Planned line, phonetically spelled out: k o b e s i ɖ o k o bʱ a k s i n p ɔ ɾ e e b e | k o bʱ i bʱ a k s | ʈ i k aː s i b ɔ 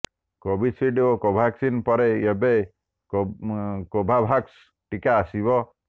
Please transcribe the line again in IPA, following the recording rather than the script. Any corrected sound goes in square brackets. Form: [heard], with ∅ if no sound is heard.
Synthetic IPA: k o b [i] s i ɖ o k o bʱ a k s i n p ɔ ɾ e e b e | k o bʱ [a] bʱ a k s | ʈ i k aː s i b ɔ